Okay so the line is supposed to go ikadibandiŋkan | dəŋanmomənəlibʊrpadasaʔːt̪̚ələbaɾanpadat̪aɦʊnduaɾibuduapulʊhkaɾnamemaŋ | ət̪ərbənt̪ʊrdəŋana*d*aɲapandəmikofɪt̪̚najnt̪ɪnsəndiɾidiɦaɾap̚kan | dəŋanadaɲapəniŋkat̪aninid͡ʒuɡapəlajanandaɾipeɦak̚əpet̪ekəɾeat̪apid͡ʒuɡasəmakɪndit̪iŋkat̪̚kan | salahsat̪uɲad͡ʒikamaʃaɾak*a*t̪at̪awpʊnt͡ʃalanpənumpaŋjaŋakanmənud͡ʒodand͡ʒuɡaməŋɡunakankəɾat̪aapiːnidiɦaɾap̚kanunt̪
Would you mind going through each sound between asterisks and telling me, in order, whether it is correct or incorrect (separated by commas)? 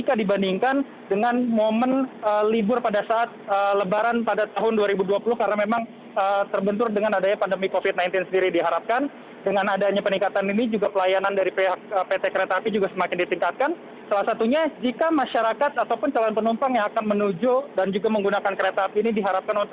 correct, correct